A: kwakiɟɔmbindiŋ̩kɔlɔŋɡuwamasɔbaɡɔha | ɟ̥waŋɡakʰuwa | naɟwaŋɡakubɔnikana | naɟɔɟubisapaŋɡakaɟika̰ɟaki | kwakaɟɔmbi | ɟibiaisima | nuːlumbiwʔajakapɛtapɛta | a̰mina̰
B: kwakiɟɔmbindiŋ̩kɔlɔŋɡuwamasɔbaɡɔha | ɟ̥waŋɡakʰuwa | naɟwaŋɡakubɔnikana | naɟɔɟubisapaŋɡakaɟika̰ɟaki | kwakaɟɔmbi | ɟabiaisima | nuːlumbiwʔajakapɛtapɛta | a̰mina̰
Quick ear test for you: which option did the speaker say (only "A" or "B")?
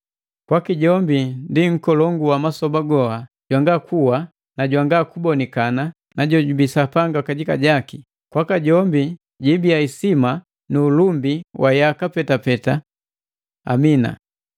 A